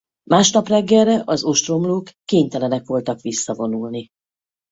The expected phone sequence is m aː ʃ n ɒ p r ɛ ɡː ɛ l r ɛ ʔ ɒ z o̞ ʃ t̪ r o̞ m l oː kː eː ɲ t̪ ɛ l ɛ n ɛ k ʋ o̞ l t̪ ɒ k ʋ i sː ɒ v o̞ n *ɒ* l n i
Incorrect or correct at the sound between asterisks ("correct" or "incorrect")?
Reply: incorrect